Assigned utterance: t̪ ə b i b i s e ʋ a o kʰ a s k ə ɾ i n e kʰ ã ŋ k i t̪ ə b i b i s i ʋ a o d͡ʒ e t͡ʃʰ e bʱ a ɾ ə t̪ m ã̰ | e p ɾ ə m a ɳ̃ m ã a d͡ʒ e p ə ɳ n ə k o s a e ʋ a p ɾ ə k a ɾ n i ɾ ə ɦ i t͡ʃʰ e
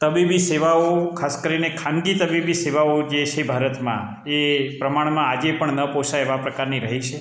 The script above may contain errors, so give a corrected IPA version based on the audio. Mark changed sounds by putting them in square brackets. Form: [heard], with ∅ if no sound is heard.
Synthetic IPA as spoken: t̪ ə b i b i s e ʋ a o kʰ a s k ə ɾ i n e kʰ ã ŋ [ɡ] i t̪ ə b i b i s [e] ʋ a o d͡ʒ e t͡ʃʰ e bʱ a ɾ ə t̪ m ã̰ | e p ɾ ə m a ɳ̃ m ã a d͡ʒ e p ə ɳ n ə [p] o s a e ʋ a p ɾ ə k a ɾ n i ɾ ə ɦ i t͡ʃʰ e